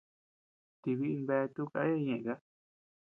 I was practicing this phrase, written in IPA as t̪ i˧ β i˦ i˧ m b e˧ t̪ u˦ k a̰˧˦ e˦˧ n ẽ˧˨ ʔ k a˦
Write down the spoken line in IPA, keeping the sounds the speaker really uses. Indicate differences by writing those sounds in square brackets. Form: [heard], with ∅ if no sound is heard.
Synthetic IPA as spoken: t̪ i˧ β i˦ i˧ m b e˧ t̪ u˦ k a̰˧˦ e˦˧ [ɲ] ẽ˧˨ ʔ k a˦